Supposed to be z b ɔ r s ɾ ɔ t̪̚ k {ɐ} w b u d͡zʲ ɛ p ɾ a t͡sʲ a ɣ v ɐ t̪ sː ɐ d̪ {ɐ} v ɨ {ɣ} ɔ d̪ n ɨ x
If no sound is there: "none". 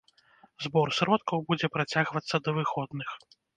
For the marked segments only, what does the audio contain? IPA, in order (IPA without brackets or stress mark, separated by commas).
ɐ, ɐ, x